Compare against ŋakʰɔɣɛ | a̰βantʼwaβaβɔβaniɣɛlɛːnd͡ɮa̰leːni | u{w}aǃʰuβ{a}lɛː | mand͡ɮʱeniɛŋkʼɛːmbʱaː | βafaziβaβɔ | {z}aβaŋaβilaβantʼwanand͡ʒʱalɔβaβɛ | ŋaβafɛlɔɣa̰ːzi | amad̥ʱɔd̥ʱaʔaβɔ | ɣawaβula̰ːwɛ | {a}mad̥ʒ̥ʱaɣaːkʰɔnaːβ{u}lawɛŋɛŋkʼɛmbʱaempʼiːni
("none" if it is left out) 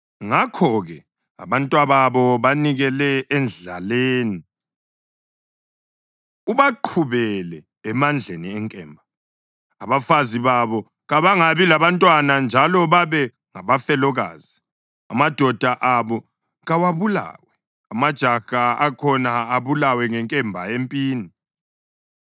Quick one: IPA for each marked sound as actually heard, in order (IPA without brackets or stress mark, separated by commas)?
β, ɛ, ɣ, a, u